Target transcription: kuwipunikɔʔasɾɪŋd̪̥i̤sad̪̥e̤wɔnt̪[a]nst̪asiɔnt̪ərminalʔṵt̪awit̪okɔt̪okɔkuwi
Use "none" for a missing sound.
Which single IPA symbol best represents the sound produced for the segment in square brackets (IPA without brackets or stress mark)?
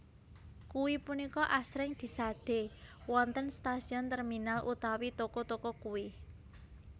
ə